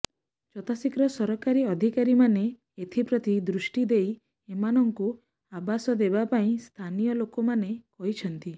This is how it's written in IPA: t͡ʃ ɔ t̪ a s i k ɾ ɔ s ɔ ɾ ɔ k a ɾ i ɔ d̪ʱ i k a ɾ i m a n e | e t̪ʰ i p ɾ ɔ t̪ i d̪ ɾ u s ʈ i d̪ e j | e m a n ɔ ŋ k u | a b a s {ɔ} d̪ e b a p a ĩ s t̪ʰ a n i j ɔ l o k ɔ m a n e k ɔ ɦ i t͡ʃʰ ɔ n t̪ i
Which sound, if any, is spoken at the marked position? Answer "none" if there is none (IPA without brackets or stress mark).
ɔ